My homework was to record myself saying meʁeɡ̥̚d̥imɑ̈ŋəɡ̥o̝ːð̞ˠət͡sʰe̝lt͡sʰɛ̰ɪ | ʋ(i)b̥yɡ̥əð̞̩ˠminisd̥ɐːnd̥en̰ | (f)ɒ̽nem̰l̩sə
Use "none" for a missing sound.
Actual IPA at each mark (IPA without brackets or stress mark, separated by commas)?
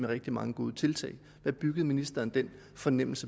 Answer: æ, f